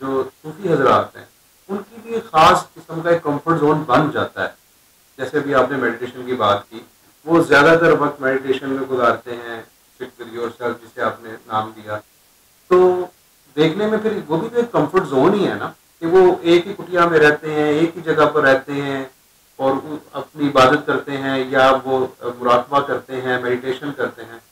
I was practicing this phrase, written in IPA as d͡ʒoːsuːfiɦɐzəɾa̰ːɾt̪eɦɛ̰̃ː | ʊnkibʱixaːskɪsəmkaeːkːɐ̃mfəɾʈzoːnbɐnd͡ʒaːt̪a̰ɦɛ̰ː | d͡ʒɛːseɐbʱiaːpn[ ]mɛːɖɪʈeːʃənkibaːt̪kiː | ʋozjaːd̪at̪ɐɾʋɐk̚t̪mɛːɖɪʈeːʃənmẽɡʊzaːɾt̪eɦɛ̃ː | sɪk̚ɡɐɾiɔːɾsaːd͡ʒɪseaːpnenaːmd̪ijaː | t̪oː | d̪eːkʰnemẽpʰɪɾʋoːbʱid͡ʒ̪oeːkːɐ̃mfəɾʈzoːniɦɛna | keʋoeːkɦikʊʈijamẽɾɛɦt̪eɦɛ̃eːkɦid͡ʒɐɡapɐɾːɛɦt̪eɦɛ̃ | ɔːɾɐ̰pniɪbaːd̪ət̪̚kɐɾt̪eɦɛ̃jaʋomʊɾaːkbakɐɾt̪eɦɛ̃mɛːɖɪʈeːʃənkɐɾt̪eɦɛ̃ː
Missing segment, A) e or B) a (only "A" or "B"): A